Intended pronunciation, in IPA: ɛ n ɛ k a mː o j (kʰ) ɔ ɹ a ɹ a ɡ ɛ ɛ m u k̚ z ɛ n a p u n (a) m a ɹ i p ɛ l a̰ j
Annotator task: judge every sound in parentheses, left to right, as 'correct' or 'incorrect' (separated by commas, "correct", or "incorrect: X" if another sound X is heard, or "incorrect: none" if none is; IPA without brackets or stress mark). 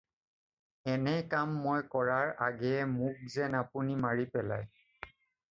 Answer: incorrect: k, incorrect: i